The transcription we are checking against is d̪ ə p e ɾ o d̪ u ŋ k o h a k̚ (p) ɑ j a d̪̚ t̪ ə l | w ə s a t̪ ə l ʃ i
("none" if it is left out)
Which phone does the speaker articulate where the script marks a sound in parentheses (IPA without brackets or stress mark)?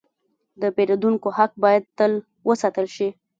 b